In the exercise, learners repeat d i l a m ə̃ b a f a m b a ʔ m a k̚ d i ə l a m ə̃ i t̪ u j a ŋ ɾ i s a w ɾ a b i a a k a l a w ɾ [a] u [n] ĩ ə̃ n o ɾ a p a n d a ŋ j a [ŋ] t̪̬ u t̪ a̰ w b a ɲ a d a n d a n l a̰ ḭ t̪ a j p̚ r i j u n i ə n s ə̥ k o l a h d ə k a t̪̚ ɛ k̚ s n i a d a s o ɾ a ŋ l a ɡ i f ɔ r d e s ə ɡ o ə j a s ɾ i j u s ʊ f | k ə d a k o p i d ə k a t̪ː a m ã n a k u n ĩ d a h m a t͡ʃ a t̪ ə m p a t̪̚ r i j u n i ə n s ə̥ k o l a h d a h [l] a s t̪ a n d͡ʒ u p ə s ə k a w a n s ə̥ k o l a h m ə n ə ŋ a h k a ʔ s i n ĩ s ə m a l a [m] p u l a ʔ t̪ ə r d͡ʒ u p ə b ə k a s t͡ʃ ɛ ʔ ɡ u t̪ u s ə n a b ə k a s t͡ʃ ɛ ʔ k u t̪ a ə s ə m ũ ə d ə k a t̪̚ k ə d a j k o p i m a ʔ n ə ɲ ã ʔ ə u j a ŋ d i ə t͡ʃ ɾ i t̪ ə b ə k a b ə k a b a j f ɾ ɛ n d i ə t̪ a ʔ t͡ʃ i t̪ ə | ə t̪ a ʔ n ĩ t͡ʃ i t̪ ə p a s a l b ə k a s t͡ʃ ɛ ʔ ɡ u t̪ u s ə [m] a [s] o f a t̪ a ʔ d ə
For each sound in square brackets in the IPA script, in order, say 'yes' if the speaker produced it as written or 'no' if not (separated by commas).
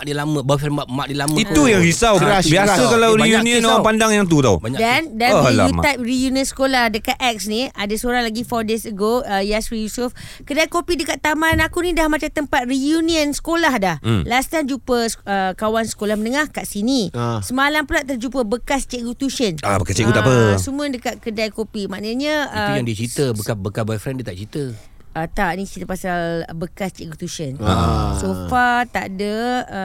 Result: no, yes, yes, yes, yes, no, yes